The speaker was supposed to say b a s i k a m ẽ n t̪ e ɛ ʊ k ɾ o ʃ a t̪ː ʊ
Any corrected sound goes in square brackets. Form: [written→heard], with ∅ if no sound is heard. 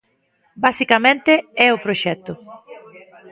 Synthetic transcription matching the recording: b a s i k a m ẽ n t̪ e ɛ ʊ [k→p] ɾ o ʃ [a→ɛ] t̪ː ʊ